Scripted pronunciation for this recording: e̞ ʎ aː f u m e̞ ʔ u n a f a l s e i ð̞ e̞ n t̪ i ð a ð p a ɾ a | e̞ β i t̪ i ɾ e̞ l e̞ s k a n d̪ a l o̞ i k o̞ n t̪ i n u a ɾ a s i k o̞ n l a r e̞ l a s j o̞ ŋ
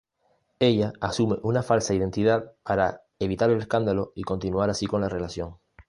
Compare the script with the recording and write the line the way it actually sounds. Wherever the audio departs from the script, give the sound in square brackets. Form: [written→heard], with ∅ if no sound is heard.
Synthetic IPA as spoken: e̞ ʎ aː [f→s] u m e̞ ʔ u n a f a l s [e→a] i ð̞ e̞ n t̪ i ð a ð p a ɾ a | e̞ β i t̪ [i→a] ɾ e̞ l e̞ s k a n d̪ a l o̞ i k o̞ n t̪ i n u a ɾ a s i k o̞ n l a r e̞ l a s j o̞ ŋ